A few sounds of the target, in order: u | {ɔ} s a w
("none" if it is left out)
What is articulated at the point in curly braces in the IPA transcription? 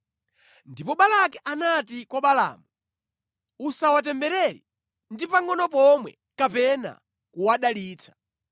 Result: u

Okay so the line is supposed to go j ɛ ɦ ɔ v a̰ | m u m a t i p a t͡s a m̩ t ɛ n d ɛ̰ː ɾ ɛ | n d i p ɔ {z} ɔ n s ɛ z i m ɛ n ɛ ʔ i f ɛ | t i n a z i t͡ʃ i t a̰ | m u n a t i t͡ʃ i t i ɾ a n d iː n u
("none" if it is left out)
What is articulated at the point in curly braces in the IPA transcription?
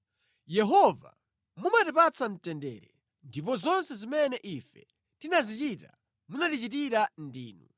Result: z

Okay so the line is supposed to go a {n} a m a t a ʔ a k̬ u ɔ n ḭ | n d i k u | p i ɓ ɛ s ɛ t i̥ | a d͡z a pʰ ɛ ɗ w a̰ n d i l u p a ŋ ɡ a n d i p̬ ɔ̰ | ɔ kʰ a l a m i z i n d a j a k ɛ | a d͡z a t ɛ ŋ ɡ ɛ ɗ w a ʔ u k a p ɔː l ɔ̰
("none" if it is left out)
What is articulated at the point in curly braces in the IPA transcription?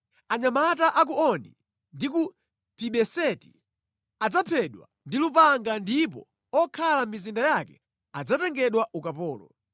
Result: ɲ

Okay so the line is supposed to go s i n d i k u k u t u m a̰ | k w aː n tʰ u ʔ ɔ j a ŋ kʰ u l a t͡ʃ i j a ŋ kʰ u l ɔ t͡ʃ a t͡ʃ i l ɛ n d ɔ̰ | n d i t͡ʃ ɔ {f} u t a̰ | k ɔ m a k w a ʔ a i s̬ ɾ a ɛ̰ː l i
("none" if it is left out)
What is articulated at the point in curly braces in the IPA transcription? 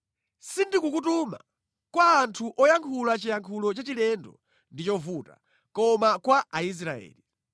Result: v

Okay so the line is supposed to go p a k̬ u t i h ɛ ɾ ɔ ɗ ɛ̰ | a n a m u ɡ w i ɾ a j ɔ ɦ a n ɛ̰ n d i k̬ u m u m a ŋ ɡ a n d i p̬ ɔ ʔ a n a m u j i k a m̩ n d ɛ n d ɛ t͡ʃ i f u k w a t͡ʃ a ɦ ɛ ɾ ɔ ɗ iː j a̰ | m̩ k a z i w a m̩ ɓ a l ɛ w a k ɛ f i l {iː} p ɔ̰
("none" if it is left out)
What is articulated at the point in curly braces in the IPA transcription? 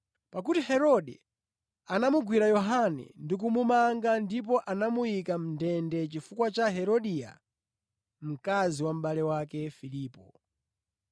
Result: iː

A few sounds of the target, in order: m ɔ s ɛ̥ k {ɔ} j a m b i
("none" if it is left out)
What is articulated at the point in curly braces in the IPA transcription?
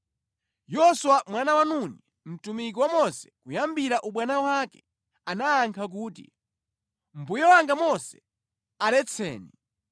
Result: u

